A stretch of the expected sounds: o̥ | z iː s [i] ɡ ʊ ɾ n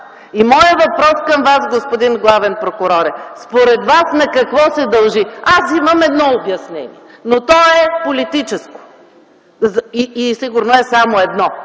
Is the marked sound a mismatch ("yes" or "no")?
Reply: no